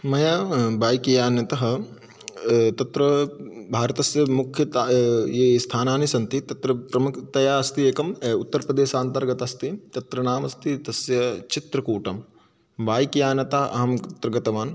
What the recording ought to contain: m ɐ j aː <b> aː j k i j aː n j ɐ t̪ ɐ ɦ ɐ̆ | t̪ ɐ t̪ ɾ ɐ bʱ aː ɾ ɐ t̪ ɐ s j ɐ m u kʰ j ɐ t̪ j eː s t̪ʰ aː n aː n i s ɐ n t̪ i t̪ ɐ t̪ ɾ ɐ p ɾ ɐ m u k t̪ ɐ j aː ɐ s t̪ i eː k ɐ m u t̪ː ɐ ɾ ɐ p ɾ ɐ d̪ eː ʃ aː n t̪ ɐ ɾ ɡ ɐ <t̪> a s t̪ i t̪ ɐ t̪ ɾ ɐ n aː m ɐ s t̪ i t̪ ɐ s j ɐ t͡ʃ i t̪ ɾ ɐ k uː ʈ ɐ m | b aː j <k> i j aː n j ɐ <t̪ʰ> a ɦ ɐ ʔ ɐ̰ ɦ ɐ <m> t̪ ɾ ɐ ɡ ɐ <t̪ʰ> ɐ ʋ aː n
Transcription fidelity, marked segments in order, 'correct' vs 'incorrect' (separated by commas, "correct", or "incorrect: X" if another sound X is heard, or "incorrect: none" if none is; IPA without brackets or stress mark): correct, correct, correct, incorrect: t̪, correct, incorrect: t̪